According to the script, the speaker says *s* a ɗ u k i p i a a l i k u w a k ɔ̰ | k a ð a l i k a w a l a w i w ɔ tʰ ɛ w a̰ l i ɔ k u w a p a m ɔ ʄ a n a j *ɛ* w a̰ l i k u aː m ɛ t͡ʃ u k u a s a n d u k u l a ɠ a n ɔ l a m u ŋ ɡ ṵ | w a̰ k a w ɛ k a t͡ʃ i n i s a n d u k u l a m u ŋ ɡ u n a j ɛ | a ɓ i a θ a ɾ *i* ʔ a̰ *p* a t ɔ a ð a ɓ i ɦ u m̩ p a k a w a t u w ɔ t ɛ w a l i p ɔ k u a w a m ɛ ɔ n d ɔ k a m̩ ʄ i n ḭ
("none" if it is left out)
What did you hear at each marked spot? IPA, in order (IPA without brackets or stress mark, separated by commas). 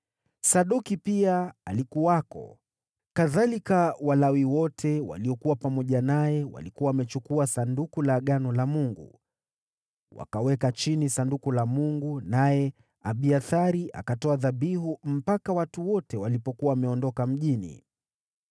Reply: s, ɛ, i, k